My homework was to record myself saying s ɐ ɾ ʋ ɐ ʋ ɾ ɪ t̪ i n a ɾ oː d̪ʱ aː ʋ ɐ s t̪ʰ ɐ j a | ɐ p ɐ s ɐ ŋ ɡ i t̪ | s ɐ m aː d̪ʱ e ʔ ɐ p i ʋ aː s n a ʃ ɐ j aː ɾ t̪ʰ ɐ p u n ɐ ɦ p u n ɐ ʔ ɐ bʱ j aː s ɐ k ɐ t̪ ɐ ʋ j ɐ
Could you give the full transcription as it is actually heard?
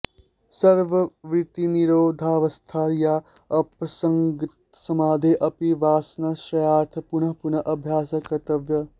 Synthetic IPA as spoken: s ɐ ɾ ʋ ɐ ʋ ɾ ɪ t̪ i n i ɾ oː d̪ʱ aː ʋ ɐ s t̪ʰ a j a | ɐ p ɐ s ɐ ŋ ɡ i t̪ | s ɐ m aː d̪ʱ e ʔ ɐ p i ʋ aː s n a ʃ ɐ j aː ɾ t̪ʰ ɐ p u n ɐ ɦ p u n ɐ ʔ ɐ bʱ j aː s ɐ k ɐ t̪ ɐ ʋ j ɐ